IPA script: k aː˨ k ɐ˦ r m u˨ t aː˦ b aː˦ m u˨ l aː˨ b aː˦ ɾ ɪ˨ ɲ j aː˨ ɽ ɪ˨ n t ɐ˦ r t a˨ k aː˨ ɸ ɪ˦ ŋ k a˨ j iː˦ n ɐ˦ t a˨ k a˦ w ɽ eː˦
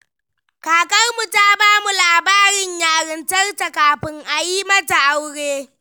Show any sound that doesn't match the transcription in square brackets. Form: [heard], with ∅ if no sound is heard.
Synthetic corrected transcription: k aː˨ k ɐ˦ r m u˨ t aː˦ b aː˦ m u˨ l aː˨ b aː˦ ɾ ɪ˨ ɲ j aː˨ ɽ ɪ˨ n t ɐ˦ r t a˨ k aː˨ ɸ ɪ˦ ŋ [ʔ] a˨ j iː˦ [m] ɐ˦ t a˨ [ʔ] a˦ w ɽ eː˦